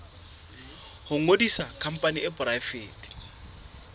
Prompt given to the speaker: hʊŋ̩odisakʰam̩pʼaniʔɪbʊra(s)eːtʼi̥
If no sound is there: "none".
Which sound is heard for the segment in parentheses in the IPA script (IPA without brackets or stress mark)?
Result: f